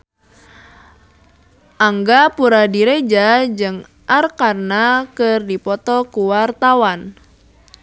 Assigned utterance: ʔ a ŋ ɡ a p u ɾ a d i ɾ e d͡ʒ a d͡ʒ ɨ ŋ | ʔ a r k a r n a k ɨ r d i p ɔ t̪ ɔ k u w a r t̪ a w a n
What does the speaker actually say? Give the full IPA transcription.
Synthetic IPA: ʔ a ŋ ɡ a p u ɾ a d i ɾ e d͡ʒ a d͡ʒ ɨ ŋ | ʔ a r k a r n a k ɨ r d i p ɔ t̪ ɔ k u w a r t̪ a w a n